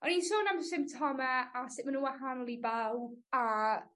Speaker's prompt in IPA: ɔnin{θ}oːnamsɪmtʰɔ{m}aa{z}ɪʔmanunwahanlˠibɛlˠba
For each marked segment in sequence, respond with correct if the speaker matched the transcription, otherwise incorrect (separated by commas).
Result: incorrect, correct, incorrect